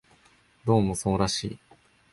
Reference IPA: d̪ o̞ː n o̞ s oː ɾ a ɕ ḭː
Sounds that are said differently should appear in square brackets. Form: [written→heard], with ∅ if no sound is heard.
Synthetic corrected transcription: d̪ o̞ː [n→m] o̞ s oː ɾ a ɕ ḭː